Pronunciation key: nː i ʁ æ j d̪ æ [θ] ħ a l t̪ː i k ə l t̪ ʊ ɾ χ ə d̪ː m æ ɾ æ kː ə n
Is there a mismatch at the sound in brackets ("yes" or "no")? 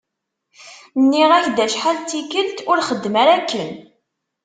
yes